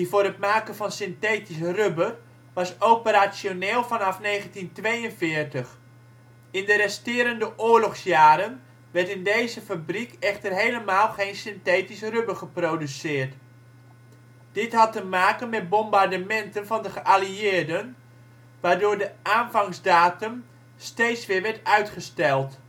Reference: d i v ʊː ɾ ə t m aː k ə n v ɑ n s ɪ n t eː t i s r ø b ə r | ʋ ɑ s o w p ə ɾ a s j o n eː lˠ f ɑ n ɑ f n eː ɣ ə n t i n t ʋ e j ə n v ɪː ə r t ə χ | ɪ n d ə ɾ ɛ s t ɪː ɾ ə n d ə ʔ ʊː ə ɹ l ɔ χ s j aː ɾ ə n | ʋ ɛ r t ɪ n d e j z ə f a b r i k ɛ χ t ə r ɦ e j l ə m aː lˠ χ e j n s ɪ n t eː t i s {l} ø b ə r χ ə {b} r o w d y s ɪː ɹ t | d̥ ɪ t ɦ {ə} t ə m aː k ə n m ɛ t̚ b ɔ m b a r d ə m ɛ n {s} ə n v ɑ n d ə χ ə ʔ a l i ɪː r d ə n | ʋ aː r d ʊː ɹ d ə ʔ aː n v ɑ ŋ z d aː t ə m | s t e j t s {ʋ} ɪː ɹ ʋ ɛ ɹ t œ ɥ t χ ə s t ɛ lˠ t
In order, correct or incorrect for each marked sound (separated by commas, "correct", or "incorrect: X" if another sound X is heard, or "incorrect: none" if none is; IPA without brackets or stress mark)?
incorrect: r, incorrect: p, incorrect: ɑ, incorrect: t, correct